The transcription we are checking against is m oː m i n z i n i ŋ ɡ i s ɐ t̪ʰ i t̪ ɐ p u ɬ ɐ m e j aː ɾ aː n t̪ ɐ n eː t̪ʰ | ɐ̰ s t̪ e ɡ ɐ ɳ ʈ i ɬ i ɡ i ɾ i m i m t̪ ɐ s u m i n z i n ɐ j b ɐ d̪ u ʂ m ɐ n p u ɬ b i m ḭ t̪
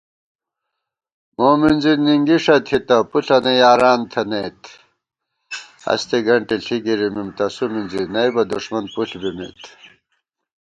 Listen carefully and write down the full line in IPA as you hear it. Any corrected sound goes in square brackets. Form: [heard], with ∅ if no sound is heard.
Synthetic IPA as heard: m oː m i n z i n i ŋ ɡ i [ʂ] ɐ t̪ʰ i t̪ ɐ p u ɬ ɐ [n] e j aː ɾ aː n [t̪ʰ] ɐ n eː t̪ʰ | ɐ̰ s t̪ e ɡ ɐ ɳ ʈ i ɬ i ɡ i ɾ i m i m t̪ ɐ s u m i n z i n ɐ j b ɐ d̪ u ʂ m ɐ n p u ɬ b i m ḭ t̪